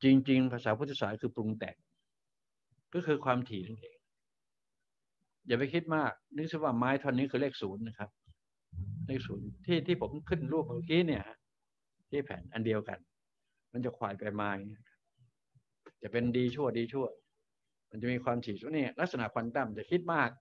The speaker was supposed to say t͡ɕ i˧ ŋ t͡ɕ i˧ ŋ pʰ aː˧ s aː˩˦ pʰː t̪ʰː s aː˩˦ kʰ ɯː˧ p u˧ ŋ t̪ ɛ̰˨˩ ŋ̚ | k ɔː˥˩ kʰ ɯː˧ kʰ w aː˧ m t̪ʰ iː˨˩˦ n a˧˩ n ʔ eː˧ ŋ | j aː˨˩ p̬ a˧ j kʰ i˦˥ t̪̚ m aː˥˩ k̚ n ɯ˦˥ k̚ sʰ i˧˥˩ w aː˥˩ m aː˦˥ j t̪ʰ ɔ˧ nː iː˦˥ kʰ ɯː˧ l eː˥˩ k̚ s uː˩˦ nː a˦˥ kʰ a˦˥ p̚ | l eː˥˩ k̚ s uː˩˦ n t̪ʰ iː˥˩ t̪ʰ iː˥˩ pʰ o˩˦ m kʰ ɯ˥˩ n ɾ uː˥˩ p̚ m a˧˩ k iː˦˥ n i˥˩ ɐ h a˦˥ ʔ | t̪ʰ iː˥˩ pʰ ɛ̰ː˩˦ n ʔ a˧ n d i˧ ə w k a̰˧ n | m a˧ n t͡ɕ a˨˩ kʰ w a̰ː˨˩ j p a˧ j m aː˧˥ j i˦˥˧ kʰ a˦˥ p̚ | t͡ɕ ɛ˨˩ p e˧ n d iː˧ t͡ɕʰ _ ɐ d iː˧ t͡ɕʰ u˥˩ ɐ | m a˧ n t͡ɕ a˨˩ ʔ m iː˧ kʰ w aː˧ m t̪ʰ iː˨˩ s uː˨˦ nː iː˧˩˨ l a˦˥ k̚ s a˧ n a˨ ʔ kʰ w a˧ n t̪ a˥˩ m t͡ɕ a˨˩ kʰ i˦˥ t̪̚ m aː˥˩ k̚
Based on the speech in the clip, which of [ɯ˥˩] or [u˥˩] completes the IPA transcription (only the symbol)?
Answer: u˥˩